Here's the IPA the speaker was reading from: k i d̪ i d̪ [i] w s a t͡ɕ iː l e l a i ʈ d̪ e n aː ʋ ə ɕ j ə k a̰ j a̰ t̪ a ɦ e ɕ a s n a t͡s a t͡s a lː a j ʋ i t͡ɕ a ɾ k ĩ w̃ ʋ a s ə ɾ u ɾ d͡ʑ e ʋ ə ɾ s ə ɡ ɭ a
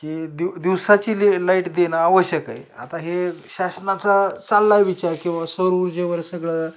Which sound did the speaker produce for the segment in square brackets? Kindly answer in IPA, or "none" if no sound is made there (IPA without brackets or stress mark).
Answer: i